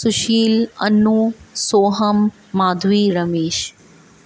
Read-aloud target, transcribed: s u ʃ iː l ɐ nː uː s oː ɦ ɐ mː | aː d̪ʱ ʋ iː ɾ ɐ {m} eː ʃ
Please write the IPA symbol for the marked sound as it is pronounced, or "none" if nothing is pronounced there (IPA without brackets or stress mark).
m